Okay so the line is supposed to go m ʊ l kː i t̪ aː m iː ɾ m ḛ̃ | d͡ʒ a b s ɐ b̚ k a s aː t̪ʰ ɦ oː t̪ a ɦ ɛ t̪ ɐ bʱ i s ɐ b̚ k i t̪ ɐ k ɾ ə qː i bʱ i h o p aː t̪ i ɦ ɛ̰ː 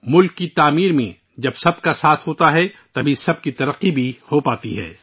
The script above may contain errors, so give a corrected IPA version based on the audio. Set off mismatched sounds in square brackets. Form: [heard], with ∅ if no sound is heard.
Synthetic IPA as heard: m ʊ l kː i t̪ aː m iː ɾ m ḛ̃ | d͡ʒ [ɐ] b s ɐ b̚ k a s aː t̪ʰ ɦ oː t̪ a ɦ ɛ t̪ ɐ bʱ i s ɐ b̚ k i t̪ ɐ [∅] ɾ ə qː i bʱ i h o p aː t̪ i ɦ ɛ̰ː